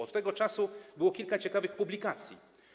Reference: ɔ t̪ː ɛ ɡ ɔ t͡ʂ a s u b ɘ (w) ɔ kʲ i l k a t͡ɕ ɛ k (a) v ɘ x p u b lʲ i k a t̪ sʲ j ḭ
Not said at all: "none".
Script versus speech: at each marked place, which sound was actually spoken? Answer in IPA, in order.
w, a

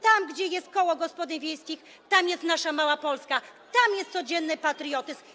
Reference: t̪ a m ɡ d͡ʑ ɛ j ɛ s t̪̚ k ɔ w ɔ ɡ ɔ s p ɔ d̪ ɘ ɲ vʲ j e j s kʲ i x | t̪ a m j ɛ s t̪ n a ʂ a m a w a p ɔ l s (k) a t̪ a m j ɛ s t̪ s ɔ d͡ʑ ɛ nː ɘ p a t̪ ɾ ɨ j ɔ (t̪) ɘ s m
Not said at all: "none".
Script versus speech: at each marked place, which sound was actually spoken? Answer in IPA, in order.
k, t̪

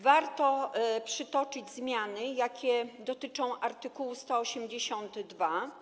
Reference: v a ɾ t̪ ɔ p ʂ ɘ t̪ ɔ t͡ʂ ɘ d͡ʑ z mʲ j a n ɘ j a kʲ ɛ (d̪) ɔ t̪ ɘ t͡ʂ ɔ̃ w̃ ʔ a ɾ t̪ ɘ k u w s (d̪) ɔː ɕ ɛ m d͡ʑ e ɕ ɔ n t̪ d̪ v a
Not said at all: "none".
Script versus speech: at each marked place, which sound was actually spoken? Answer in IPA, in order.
d̪, t̪

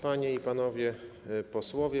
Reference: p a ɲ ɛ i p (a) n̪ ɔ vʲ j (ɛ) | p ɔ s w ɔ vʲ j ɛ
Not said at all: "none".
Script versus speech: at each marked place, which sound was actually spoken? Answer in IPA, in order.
a, ɛ

